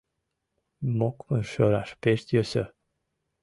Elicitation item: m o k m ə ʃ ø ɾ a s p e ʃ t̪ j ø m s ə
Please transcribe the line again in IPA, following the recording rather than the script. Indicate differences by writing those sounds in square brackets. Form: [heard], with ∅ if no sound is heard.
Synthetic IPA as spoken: m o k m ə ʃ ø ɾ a [ʃ] p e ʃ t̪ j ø [∅] s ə